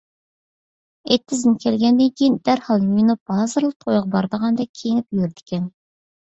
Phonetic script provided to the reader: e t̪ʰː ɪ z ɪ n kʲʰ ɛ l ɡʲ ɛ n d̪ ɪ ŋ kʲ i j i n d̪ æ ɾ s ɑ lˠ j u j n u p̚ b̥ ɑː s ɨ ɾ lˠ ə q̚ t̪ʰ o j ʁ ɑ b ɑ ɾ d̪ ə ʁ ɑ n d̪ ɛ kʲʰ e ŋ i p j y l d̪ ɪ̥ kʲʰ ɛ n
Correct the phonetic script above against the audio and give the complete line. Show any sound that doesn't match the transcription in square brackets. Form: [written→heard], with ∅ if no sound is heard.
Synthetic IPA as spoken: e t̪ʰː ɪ z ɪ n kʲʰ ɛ l ɡʲ ɛ n d̪ ɪ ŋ kʲ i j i n d̪ æ ɾ [s→h] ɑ lˠ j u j n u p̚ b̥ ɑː [s→z] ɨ ɾ lˠ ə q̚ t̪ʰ o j ʁ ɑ b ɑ ɾ d̪ ə ʁ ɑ n d̪ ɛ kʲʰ e ŋ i p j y [l→ɾ] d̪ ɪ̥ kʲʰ ɛ n